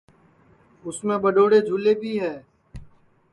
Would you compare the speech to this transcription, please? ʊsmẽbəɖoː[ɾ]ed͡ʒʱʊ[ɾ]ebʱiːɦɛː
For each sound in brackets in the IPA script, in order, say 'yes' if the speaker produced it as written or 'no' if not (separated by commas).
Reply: no, no